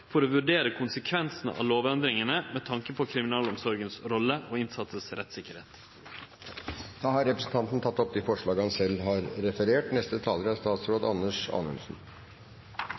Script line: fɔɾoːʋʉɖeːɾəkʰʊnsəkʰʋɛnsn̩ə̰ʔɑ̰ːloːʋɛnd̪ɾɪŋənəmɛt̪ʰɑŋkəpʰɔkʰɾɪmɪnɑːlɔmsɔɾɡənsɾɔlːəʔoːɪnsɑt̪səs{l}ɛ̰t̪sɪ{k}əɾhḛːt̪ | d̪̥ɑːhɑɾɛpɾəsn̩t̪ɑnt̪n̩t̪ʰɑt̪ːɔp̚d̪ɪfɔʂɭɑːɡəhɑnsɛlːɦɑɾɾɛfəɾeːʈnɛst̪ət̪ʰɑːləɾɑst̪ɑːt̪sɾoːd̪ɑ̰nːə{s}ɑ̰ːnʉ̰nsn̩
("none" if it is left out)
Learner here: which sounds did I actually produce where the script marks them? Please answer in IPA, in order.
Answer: ɾ, k, ʂ

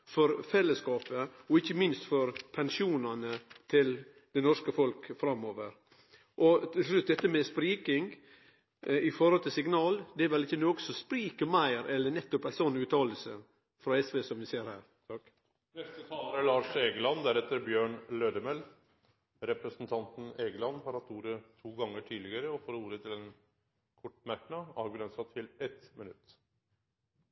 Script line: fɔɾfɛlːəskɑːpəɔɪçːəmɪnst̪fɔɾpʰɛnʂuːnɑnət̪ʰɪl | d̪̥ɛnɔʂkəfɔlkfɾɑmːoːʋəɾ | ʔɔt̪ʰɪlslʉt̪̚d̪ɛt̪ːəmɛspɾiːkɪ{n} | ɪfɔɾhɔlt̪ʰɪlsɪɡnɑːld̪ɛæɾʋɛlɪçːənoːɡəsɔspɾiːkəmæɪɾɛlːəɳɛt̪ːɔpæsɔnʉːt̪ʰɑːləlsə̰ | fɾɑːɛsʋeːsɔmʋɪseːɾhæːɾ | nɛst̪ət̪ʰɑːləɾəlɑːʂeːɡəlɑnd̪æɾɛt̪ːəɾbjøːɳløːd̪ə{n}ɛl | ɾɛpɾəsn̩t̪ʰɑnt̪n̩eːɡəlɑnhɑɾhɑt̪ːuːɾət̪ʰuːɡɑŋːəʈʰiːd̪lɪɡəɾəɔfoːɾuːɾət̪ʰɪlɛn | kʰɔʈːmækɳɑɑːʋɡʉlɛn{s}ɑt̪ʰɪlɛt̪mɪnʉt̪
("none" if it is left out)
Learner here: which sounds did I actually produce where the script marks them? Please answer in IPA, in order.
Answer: ŋ, m, s

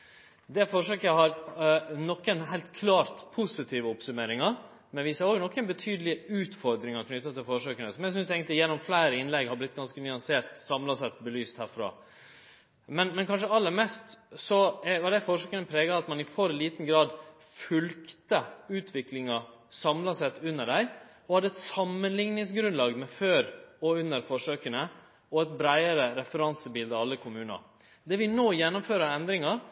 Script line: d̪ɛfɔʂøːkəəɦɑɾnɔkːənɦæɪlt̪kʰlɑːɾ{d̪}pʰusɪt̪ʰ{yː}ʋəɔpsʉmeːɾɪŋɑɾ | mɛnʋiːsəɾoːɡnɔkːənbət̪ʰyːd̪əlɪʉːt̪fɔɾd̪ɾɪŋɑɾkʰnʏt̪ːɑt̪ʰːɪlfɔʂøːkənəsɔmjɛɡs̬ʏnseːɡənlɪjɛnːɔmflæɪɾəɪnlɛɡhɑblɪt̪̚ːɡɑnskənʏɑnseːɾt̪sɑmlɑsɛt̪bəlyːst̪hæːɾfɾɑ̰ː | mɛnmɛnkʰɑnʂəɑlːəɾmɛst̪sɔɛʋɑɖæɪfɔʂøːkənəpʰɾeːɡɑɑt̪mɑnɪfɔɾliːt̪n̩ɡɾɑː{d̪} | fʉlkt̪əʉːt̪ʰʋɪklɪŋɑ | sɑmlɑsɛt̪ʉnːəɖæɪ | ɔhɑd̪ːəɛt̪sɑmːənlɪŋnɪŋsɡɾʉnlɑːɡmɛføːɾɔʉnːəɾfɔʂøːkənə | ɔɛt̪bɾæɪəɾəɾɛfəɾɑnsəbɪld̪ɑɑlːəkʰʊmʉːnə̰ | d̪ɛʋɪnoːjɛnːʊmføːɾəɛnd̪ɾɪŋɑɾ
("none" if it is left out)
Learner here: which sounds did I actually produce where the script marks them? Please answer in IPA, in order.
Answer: t̪, iː, d̪

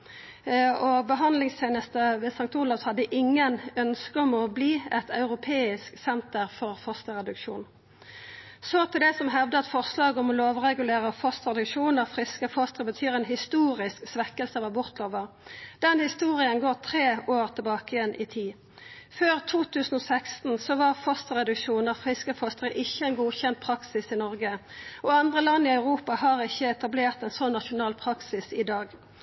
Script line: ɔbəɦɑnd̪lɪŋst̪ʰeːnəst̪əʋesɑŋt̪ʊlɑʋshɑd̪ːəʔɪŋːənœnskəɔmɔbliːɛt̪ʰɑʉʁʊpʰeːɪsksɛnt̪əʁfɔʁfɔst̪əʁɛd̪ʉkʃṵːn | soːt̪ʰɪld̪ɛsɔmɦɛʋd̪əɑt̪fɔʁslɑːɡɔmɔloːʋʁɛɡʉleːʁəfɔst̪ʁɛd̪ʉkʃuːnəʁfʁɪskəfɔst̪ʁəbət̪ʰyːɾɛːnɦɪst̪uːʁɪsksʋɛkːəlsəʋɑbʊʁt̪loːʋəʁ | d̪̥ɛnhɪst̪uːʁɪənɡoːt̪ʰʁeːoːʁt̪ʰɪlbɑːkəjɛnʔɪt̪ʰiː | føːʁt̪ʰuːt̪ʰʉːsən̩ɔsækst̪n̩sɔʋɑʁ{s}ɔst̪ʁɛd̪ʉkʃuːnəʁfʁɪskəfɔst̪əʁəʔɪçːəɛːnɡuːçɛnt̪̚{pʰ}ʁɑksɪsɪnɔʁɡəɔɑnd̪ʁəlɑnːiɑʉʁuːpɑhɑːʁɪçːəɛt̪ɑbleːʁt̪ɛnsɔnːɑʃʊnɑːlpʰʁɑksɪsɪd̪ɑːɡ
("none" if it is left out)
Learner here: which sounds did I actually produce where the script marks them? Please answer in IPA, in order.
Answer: f, pʰ

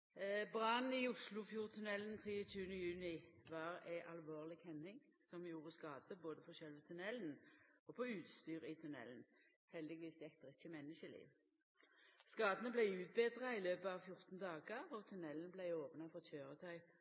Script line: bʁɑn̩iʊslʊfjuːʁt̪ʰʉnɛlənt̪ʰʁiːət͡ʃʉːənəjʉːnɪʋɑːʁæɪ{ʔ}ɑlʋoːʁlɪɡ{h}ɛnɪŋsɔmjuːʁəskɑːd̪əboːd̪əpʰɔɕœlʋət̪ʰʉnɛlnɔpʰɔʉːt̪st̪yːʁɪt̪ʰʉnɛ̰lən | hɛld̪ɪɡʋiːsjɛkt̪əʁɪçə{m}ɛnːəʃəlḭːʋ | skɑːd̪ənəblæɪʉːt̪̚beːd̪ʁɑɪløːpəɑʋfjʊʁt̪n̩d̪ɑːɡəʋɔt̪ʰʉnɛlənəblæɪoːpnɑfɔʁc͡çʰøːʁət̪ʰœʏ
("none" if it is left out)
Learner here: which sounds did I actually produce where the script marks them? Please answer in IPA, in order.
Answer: ʔ, h, m

